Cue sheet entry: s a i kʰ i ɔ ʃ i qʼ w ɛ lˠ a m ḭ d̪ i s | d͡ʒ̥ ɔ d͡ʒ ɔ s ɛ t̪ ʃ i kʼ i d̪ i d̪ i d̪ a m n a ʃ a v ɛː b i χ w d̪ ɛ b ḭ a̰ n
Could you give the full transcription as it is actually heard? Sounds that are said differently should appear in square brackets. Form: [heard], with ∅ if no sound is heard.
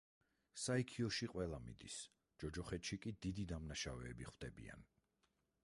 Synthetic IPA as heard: s a i kʰ i ɔ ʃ i qʼ w ɛ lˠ a m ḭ d̪ i s | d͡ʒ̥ ɔ d͡ʒ ɔ [χ] ɛ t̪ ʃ i kʼ i d̪ i d̪ i d̪ a m n a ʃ a v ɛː b i χ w d̪ ɛ b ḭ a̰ n